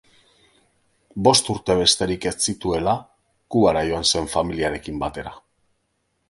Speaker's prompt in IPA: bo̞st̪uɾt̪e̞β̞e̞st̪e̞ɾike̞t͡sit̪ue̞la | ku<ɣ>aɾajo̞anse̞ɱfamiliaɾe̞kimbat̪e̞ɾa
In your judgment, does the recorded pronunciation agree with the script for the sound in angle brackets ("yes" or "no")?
yes